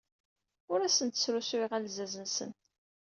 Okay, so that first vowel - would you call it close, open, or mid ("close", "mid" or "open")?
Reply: close